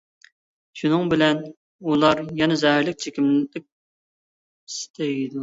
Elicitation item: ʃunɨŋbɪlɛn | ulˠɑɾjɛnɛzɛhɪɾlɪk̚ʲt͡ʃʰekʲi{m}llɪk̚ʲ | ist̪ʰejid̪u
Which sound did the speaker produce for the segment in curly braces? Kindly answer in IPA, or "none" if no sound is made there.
m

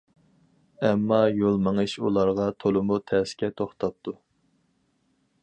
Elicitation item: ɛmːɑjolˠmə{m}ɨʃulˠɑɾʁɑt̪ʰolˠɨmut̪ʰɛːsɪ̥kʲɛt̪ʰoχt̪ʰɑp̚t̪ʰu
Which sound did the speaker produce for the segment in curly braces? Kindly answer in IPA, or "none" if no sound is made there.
ŋ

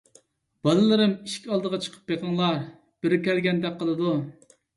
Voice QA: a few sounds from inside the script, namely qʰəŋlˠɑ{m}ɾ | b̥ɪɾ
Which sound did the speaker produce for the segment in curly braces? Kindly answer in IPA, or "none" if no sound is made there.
none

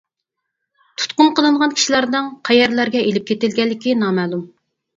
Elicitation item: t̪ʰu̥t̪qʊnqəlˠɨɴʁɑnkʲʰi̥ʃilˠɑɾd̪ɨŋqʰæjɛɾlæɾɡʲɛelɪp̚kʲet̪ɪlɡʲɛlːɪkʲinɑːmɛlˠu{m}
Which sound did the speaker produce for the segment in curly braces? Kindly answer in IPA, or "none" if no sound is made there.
m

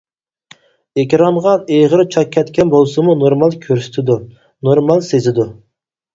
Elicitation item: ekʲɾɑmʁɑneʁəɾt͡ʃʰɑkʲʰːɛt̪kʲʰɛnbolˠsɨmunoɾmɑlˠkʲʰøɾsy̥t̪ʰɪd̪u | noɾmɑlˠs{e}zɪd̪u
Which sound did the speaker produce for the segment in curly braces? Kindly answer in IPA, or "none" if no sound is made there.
e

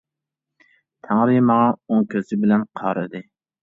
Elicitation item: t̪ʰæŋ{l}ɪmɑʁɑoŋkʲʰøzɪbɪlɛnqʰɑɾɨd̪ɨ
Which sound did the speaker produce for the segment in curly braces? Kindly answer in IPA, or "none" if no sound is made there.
ɾ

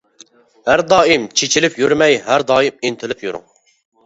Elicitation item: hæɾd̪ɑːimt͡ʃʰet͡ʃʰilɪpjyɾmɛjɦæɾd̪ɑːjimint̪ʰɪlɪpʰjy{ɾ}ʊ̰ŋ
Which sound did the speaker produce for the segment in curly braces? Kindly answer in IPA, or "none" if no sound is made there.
ɾ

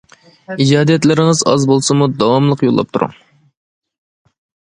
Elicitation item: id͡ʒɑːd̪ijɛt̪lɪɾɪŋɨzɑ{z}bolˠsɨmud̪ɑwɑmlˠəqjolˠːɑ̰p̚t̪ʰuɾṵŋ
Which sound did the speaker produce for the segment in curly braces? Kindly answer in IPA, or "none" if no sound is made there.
z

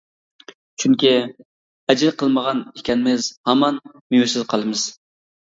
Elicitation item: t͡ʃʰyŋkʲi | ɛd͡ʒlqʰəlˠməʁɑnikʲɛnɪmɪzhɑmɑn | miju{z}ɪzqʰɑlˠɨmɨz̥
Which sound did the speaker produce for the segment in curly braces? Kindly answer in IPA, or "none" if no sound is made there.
s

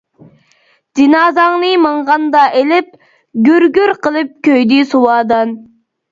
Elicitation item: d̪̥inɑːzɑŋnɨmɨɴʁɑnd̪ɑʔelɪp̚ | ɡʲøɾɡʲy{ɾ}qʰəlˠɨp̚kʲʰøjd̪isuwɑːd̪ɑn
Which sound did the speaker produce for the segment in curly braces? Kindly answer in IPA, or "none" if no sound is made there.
ɾ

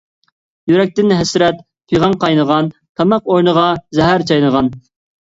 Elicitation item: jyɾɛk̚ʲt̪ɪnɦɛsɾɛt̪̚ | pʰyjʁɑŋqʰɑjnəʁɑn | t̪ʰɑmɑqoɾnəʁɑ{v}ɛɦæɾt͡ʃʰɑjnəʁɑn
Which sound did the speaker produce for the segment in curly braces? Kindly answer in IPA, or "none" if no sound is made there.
z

